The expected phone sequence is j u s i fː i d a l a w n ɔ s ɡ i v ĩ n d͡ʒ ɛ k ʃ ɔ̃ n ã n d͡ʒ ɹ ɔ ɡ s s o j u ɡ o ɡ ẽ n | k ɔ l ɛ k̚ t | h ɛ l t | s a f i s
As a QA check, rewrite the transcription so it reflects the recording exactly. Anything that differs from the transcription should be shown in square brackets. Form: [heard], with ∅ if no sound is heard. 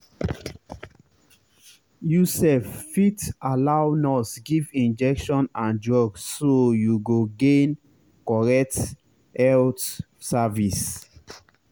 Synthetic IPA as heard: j u s [ɛ] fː i [t] a l a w n ɔ s ɡ i v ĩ n d͡ʒ ɛ k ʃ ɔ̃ n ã n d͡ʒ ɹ ɔ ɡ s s o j u ɡ o ɡ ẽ n | k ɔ [ɹ] ɛ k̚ t | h ɛ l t | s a [v] i s

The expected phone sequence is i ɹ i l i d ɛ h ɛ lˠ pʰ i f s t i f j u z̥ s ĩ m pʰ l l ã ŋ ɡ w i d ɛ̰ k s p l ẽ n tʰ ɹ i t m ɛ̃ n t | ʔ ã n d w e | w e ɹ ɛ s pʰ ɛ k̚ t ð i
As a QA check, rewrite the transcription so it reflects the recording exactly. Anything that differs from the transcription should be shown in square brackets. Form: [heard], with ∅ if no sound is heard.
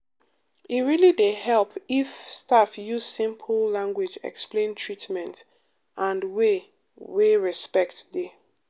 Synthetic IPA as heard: i ɹ i l i d [e] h ɛ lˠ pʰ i f s t [a] f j u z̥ s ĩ m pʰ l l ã ŋ ɡ w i [d͡ʒ] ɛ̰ k s p l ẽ n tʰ ɹ i t m ɛ̃ n t | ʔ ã n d w e | w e ɹ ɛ s [p] ɛ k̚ t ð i

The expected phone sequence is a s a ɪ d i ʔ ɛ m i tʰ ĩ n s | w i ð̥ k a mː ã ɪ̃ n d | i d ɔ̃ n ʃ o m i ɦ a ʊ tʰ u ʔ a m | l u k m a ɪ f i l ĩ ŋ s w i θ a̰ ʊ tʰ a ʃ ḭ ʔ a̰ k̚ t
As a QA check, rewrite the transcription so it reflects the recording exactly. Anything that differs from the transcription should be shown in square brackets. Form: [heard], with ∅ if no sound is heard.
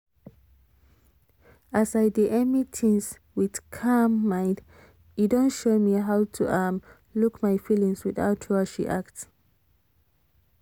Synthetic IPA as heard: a s a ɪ d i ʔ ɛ m i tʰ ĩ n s | w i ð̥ [kʰ] a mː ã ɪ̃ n d | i d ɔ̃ n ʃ o m i ɦ a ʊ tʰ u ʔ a m | l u k m a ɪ f i l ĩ ŋ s w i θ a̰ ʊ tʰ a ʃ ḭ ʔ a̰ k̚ t

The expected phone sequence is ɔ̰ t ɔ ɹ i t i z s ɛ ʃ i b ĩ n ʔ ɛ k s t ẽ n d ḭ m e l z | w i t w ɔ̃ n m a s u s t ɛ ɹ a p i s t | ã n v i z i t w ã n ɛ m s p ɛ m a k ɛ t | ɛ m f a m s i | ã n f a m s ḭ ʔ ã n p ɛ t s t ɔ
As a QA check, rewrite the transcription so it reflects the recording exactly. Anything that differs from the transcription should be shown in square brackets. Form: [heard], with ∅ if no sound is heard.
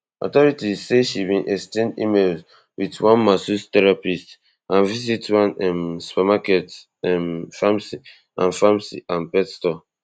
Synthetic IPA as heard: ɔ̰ t ɔ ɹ i t i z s [e] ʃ i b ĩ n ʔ ɛ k s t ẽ n d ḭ m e l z | w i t w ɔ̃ n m a s u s t ɛ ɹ a p i s t | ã n v i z i t w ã n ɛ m s p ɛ m a k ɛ t | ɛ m f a m s i | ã n f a m s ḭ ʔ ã n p ɛ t s t ɔ

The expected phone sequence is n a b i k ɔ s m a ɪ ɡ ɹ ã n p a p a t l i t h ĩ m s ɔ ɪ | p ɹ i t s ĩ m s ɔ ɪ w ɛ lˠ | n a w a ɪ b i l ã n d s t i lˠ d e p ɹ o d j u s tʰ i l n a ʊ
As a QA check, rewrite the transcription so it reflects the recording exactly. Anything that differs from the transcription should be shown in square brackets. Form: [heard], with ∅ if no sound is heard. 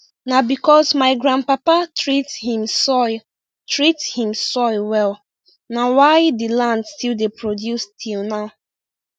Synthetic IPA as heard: n a b i k ɔ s m a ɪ ɡ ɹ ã n p a p a t [ɹ] i t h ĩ m s ɔ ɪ | [t] ɹ i t [h] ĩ m s ɔ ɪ w ɛ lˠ | n a w a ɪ [d] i l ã n d s t i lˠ d e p ɹ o d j u s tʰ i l n a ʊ

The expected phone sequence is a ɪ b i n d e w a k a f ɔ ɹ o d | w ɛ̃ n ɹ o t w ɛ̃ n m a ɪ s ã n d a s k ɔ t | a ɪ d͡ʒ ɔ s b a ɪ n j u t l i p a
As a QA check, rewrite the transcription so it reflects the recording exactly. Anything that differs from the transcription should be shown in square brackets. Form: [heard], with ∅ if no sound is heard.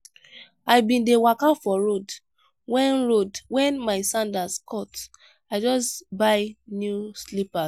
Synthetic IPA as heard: a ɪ b [ĩ] n d e w a k a f ɔ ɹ o d | w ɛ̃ n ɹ o [d] w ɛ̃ n m a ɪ s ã n d a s k ɔ t | a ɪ d͡ʒ ɔ s b a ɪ n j u [s] l i p a

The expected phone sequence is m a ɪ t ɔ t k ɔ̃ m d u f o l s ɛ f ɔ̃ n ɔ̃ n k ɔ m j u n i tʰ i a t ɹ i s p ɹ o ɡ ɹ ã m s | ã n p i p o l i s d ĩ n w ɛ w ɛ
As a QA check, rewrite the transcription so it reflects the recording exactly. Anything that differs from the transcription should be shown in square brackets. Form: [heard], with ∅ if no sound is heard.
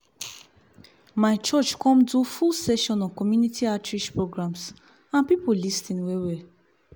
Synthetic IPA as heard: m a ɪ [t͡ʃ] ɔ [t͡ʃ] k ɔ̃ m d u f [u] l s ɛ [ʃ] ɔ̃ n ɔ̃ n k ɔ m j u n i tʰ i a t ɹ i [ʃ] p ɹ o ɡ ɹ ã m s | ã n p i p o l i s [t] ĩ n w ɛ w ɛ

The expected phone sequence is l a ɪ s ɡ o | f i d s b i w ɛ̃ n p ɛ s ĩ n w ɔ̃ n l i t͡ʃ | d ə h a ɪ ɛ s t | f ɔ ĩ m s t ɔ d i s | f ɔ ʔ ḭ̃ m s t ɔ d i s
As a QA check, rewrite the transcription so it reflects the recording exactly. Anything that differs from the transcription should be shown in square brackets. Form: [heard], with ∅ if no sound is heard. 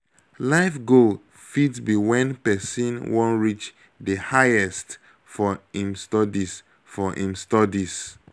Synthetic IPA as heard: l a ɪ [f] ɡ o | f i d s b i w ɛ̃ n p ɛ s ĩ n w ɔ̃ n [ɹ] i t͡ʃ | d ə h a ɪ ɛ s t | f ɔ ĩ m s t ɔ d i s | f ɔ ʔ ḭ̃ m s t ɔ d i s

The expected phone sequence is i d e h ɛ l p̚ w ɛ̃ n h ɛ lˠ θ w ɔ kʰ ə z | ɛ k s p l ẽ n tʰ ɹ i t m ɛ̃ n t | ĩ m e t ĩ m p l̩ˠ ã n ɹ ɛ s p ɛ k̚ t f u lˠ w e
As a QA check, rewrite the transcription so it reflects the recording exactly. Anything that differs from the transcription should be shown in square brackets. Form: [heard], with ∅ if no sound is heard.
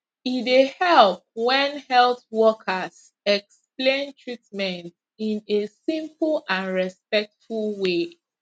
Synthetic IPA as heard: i d e h ɛ l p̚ w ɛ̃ n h ɛ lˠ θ w ɔ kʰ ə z | ɛ k s p l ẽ n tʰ ɹ i t m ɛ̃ n t | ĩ [n] e [s] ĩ m p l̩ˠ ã n ɹ ɛ s p ɛ k̚ t f u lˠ w e

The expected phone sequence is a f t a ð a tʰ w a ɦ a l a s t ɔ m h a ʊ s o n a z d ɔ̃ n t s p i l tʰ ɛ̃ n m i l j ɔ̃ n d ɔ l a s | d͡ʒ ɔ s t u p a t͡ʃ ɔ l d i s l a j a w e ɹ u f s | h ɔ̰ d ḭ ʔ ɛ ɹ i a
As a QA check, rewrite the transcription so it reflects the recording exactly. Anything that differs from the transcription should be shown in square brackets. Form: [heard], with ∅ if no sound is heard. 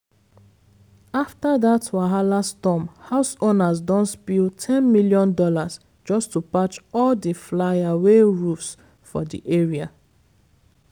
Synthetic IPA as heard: a f t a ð a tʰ w a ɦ a l a s t ɔ m h a ʊ s o n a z d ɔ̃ n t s p i l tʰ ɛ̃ n m i l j ɔ̃ n d ɔ l a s | d͡ʒ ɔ s t u p a t͡ʃ ɔ l d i [f] l a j a w e ɹ u f s | [f] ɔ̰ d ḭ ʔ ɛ ɹ i a

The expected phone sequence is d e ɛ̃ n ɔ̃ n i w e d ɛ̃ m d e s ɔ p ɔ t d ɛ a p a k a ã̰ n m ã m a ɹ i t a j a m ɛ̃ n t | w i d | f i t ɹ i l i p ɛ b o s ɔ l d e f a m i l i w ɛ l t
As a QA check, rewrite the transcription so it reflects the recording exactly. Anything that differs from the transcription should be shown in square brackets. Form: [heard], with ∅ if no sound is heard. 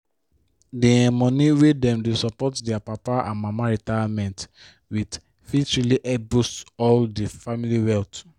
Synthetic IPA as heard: d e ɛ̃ [m] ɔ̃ n i w e d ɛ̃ m d e s ɔ p ɔ t d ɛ a p a [p] a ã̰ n m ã m a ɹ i t a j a m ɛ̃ n t | w i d | f i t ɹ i l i [ʔ] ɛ b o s ɔ l d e f a m i l i w ɛ l t

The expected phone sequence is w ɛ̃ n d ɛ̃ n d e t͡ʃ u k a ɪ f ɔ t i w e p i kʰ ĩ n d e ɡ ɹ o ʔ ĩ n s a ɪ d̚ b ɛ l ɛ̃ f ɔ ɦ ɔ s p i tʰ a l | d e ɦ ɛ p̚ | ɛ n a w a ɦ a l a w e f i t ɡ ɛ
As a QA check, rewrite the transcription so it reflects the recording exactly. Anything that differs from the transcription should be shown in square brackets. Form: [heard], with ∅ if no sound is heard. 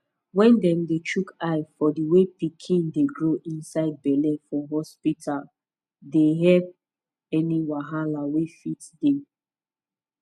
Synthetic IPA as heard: w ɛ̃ n d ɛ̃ [m] d e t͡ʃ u k a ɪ f ɔ [d] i w e p i kʰ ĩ n d e ɡ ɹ o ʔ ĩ n s a ɪ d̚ b ɛ l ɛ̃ f ɔ ɦ ɔ s p i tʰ a l | d e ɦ ɛ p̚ | ɛ n [i] w a ɦ a l a w e f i t [d] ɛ

